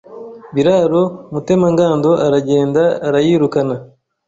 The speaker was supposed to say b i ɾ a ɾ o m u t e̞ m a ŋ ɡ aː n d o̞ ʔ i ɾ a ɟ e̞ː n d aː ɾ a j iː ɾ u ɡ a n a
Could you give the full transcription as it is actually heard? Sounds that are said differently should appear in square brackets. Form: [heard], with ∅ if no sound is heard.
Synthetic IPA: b i ɾ a ɾ o m u t e̞ m a ŋ ɡ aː n d o̞ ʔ [a] ɾ a ɟ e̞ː n d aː ɾ a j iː ɾ u [k] a n a

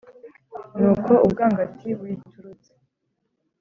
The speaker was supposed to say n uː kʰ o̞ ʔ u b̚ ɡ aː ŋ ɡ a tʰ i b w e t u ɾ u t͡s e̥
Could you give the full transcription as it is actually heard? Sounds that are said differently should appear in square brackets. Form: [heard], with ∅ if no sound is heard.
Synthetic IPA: n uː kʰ o̞ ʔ u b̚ ɡ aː ŋ ɡ a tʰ i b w [i] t u ɾ u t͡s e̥

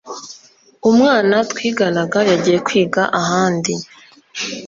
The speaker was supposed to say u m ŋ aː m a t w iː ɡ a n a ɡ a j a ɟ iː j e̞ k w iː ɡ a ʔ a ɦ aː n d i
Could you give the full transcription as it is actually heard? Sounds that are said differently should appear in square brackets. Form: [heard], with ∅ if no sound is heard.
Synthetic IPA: u m ŋ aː [n] a t w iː ɡ a n a ɡ a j a ɟ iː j e̞ k w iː ɡ a ʔ a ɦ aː n d i

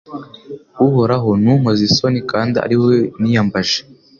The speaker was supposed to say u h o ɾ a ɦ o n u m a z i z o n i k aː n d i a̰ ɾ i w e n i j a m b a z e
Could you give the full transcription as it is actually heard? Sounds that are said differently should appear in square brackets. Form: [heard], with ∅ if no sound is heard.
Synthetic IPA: u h o ɾ a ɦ o n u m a z i [s] o n i k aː n d i a̰ ɾ i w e n i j a m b a [ʒ] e

